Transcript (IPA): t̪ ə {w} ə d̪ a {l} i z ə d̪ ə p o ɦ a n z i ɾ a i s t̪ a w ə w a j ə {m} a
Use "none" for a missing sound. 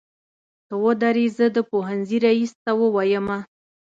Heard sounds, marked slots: w, ɾ, m

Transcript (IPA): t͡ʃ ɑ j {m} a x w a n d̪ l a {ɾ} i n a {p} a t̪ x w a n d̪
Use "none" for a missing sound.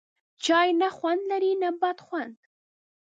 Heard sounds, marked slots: n, ɾ, b

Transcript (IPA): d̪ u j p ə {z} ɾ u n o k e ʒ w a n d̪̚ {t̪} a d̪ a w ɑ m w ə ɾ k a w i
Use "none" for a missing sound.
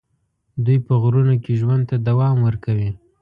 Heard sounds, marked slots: ɣ, t̪

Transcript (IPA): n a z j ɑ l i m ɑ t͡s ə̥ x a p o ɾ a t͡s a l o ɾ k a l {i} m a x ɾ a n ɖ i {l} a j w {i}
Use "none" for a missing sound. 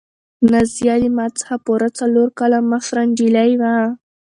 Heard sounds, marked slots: a, l, a

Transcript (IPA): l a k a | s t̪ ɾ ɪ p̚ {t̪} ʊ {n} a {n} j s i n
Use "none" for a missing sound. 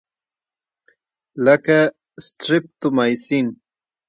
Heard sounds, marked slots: t̪, m, none

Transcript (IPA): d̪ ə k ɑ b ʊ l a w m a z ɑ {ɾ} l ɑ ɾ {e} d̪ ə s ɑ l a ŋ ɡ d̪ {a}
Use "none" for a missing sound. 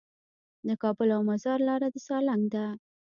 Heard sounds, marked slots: ɾ, a, a

